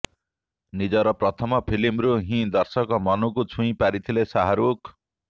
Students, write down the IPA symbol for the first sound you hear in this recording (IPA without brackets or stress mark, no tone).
n